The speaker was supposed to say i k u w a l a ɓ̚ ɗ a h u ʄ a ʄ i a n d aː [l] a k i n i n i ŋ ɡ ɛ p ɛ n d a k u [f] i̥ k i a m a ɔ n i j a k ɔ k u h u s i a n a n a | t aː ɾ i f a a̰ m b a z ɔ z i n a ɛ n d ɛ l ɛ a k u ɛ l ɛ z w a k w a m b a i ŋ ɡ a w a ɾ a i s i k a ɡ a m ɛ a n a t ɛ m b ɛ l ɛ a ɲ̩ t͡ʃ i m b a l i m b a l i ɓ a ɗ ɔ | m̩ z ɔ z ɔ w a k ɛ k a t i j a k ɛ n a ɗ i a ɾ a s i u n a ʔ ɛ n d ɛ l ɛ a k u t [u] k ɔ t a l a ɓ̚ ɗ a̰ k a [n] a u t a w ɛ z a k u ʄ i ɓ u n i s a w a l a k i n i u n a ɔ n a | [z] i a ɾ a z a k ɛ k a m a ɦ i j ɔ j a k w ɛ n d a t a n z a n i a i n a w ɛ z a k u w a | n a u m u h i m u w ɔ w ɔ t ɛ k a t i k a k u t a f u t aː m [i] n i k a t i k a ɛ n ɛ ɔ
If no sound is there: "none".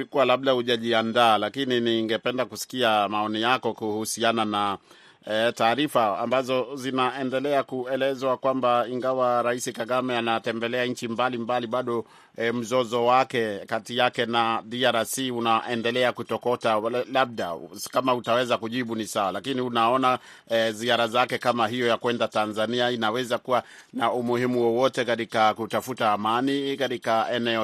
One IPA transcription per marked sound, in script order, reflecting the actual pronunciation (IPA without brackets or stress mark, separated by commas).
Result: l, s, ɔ, m, z, a